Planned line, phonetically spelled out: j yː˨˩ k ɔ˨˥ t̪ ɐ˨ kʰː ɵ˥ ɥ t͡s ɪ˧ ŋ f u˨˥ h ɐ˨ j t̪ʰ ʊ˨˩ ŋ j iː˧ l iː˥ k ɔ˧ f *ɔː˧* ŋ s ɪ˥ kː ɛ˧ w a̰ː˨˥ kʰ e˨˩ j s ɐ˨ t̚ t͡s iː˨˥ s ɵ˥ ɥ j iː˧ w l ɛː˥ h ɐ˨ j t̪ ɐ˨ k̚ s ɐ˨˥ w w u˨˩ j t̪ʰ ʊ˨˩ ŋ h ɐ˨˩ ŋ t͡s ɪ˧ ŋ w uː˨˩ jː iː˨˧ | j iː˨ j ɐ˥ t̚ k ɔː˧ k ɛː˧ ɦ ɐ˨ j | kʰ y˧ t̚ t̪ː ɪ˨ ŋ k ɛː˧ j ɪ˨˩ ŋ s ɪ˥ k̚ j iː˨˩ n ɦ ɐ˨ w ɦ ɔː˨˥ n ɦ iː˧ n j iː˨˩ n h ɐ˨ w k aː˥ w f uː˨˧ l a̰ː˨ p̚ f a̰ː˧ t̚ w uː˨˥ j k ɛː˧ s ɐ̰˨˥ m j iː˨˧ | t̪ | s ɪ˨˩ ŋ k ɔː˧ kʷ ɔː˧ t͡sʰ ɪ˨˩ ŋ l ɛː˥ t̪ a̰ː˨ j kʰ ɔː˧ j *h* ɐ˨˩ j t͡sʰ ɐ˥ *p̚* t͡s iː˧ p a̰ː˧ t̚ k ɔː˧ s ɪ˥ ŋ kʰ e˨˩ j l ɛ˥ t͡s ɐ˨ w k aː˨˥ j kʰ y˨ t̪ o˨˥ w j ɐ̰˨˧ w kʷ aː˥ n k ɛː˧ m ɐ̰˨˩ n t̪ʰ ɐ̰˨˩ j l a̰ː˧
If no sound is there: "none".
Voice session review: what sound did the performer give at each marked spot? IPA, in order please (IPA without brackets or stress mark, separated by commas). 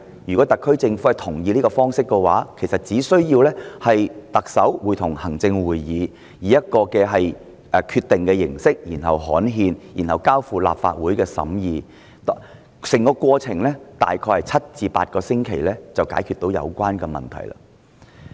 ɔː˥, h, t̚